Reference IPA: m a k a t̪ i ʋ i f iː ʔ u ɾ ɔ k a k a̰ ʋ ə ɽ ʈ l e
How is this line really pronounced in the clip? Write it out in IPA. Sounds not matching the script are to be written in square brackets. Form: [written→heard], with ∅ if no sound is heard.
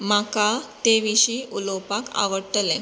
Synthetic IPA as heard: m a k a t̪ [i→e] ʋ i [f→ɕ] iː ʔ u [ɾ→l] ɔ [k→p] a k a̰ ʋ ə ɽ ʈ l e

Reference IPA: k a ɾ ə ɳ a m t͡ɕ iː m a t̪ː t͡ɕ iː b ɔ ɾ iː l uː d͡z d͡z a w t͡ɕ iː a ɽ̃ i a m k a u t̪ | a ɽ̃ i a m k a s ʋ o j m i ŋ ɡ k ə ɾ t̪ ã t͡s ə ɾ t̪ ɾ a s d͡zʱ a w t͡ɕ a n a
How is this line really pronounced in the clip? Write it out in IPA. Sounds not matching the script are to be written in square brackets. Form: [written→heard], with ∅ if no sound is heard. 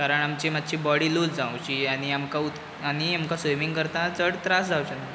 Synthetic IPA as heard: k a ɾ ə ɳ a m t͡ɕ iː m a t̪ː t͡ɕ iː b ɔ [ɾ→ɽ] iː l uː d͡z d͡z a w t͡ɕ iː a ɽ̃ i a m k a u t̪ | a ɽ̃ i a m k a s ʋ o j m i ŋ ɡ k ə ɾ t̪ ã t͡s ə [ɾ→ɽ] t̪ ɾ a s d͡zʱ a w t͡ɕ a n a

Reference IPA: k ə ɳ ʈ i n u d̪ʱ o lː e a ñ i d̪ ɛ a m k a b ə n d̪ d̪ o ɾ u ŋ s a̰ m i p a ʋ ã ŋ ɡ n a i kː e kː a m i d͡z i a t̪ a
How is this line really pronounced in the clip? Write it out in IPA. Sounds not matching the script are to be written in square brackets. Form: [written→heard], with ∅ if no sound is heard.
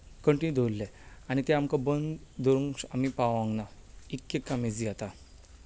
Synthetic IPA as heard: k ə ɳ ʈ i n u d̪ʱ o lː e a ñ i [d̪→t̪] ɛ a m k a b ə n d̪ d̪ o ɾ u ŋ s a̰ m i p a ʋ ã ŋ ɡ n a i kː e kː a m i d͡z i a t̪ a

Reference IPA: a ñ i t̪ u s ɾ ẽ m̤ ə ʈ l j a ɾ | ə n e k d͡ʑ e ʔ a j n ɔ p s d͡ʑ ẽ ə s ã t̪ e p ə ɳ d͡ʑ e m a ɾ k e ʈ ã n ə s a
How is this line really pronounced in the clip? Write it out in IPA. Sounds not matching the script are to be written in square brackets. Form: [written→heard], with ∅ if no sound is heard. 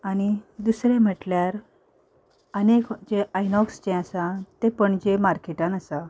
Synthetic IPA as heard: a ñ i [t̪→d̪] u s ɾ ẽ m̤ ə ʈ l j a ɾ | ə n e k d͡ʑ e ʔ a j n ɔ [p→k] s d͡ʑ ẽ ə s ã t̪ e p ə ɳ d͡ʑ e m a ɾ k e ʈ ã n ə s a

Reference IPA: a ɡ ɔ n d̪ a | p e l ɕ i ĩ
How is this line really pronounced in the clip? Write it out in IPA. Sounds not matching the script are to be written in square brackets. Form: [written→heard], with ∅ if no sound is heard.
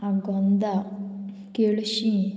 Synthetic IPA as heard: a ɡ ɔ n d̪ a | [p→k] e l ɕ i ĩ

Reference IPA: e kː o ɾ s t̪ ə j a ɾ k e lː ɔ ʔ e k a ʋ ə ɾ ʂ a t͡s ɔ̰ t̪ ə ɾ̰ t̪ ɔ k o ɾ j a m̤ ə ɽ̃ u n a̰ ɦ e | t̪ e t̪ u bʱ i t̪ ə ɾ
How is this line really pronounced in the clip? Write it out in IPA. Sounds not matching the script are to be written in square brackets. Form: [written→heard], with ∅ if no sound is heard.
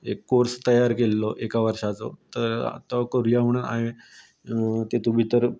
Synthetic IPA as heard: e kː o ɾ s t̪ ə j a ɾ k e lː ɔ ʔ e k a ʋ ə ɾ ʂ a t͡s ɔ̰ t̪ ə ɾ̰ t̪ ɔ k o ɾ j a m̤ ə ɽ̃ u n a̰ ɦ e | t̪ e t̪ u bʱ i t̪ ə ɾ

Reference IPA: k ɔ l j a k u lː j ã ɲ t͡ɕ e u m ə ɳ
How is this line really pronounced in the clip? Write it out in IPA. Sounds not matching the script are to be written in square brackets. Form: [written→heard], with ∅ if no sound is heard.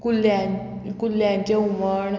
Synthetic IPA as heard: k [ɔ→u] l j a k u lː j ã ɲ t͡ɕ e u m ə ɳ

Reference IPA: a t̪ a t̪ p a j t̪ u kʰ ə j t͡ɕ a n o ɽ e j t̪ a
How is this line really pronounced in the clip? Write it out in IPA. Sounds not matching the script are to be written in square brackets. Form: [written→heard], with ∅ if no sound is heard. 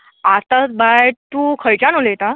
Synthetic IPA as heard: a t̪ a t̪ [p→b] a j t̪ u kʰ ə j t͡ɕ a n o [ɽ→l] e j t̪ a

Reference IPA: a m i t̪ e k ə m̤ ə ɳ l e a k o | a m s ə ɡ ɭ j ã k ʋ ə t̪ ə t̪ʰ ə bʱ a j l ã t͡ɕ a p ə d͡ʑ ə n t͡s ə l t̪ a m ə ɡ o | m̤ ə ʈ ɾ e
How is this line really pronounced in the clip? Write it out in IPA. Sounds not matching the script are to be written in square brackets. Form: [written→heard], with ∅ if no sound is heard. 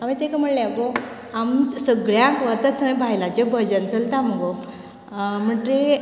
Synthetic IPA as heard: a m i t̪ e k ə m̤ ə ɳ l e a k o | a m s ə ɡ ɭ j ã k ʋ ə t̪ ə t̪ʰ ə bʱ a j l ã t͡ɕ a [p→b] ə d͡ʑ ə n t͡s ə l t̪ a m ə ɡ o | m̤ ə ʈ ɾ e

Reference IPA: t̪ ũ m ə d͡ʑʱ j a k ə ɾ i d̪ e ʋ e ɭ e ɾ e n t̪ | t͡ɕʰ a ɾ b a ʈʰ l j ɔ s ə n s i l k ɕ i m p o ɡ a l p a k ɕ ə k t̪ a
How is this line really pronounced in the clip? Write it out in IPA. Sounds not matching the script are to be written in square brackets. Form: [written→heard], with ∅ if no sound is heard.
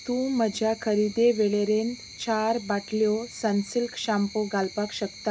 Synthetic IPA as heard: t̪ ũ m ə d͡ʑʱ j a [k→kʰ] ə ɾ i d̪ e ʋ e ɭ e ɾ e n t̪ | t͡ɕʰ a ɾ b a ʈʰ l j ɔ s ə n s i l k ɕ [i→a] m p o ɡ a l p a k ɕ ə k t̪ a

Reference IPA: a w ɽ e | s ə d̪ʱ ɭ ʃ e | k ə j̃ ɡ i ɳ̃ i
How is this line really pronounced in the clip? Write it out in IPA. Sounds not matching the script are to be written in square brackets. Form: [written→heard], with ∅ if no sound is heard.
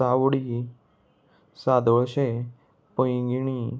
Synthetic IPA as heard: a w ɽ [e→i] | s [ə→a] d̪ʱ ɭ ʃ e | [k→p] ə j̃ ɡ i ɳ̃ i

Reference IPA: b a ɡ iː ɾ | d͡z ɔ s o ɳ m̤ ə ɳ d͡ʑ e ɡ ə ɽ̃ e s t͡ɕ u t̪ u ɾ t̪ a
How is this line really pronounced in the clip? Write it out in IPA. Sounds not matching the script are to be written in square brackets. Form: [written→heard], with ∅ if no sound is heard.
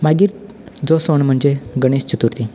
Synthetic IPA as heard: [b→m] a ɡ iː ɾ | d͡z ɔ s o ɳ m̤ ə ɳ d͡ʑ e ɡ ə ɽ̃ e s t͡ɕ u t̪ u ɾ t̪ [a→i]

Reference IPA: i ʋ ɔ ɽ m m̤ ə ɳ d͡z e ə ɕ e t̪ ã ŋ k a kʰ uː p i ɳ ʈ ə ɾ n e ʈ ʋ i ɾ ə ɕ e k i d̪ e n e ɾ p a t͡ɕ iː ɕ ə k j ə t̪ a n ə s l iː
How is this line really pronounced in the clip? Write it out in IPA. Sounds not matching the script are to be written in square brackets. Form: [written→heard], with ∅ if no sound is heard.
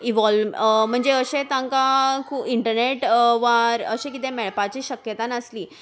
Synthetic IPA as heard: i ʋ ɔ [ɽ→l] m m̤ ə ɳ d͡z e ə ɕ e t̪ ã ŋ k a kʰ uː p i ɳ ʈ ə ɾ n e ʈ ʋ [i→a] ɾ ə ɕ e k i [d̪→t̪] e [n→m] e [ɾ→ɭ] p a t͡ɕ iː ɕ ə k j ə t̪ a n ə s l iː

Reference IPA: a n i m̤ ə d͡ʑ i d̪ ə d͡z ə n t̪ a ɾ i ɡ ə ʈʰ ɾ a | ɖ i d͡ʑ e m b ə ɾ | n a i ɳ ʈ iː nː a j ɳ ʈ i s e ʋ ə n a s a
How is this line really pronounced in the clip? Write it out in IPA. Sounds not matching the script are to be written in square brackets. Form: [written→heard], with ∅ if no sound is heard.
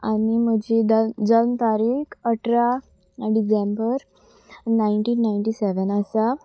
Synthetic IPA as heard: a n i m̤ ə d͡ʑ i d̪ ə d͡z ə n t̪ a ɾ i [ɡ→k] ə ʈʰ ɾ a | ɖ i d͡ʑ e m b ə ɾ | n a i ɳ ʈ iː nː a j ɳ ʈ i s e ʋ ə n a s a

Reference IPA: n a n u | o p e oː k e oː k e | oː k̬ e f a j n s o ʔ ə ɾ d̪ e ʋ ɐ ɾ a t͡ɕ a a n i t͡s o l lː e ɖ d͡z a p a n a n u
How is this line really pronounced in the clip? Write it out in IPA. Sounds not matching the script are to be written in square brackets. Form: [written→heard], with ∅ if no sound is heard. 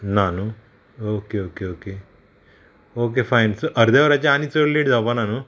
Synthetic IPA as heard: n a n u | o [p→k] e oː k e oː k e | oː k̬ e f a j n s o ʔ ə ɾ d̪ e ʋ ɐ ɾ a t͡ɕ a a n i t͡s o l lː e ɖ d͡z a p a n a n u

